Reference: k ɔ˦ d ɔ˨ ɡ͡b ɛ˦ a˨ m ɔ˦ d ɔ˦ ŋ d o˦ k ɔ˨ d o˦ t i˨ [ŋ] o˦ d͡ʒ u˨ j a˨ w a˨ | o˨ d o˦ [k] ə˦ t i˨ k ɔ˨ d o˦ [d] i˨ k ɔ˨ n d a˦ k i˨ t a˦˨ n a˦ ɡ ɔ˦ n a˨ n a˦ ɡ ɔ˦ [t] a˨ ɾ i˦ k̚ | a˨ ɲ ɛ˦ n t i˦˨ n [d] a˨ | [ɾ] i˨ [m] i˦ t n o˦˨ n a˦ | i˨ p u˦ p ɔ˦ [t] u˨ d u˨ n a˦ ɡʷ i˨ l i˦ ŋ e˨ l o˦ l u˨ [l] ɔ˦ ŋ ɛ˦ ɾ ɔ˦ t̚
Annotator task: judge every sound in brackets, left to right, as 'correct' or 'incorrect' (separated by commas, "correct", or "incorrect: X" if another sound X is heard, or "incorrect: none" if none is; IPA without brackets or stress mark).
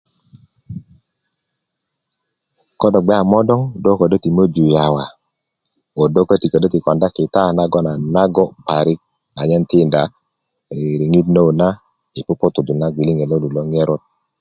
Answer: incorrect: m, correct, incorrect: t, incorrect: p, correct, correct, incorrect: ŋ, correct, correct